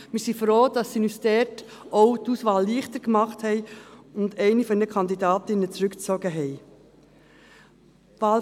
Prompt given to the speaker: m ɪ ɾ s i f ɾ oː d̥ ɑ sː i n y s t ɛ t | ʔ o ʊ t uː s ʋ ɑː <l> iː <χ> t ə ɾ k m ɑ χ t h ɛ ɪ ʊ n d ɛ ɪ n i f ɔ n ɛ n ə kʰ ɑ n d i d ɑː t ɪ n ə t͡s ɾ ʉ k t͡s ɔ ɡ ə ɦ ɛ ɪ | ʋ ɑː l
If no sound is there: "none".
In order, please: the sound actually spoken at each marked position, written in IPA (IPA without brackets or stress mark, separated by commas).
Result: lː, χ